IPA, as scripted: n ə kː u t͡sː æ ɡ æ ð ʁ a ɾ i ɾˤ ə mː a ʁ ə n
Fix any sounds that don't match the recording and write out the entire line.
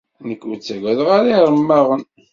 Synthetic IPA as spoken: n ə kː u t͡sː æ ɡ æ ð ʁ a ɾ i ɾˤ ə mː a ʁ ə n